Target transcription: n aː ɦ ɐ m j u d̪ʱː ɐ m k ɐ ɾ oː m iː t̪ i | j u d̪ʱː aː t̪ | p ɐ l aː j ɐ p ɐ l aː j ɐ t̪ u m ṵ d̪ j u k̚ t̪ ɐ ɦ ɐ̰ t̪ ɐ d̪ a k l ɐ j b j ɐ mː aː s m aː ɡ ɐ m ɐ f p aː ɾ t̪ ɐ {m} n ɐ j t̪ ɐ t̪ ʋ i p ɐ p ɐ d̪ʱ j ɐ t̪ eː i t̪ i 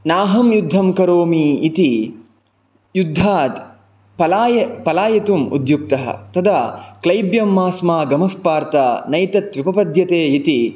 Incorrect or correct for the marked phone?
incorrect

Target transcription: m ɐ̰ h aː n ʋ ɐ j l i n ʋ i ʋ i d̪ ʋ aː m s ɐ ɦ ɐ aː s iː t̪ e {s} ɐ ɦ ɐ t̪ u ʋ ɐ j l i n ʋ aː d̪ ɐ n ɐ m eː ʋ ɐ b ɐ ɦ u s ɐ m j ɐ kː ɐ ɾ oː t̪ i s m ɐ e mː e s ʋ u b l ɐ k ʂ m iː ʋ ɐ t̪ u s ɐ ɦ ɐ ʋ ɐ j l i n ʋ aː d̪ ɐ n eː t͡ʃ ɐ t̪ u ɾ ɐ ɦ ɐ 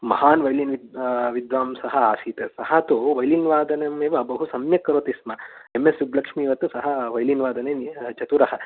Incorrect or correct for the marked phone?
correct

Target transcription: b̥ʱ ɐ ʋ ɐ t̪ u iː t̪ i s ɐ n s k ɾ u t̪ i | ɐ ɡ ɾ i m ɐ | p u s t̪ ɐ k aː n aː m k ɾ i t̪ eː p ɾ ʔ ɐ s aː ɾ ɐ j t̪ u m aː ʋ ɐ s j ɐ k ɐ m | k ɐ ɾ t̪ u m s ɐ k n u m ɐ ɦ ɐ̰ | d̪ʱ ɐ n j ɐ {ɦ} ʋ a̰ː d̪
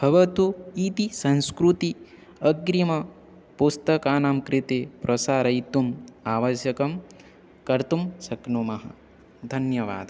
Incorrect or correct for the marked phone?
incorrect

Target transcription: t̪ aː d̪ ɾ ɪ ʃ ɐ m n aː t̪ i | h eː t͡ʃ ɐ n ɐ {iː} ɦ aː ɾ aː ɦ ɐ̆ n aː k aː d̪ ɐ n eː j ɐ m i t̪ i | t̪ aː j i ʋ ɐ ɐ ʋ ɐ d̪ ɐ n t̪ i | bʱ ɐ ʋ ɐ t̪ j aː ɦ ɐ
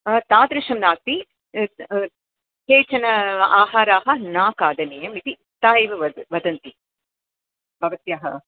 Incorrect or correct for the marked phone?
incorrect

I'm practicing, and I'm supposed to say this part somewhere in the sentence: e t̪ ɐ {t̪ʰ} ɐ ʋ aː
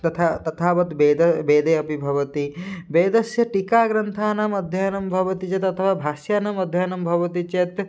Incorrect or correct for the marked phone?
correct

